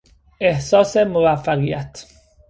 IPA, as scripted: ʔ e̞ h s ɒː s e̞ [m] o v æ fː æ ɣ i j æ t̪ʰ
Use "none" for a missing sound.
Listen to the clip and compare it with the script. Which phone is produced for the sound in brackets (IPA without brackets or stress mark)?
m